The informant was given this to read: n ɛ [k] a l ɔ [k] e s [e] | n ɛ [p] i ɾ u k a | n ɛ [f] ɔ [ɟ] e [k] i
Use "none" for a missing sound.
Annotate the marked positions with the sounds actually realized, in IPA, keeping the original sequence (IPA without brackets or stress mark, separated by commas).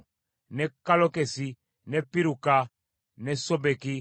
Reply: k, k, i, p, s, b, k